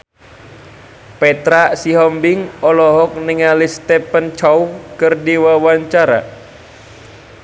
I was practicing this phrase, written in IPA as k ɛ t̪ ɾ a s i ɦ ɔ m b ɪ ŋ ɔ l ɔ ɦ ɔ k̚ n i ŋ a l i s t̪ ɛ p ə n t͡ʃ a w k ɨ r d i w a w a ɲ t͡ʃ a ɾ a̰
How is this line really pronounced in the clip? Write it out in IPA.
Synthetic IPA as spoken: p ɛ t̪ ɾ a s i ɦ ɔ m b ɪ ŋ ɔ l ɔ ɦ ɔ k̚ n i ŋ a l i s t̪ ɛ p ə n t͡ʃ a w k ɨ r d i w a w a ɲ t͡ʃ a ɾ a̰